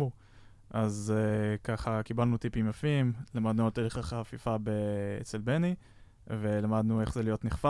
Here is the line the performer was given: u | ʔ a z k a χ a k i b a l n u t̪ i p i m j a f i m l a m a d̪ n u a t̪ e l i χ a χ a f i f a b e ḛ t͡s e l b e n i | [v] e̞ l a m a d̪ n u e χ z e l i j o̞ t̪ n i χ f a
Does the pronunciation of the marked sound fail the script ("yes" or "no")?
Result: no